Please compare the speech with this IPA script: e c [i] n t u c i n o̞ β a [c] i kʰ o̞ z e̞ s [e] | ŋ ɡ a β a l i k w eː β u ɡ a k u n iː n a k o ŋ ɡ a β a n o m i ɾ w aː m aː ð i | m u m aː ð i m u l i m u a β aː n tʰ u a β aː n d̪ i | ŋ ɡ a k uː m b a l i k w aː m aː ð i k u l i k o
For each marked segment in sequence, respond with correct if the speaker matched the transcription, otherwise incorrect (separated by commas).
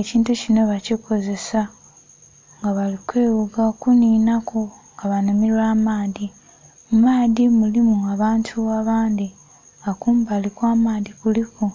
incorrect, correct, incorrect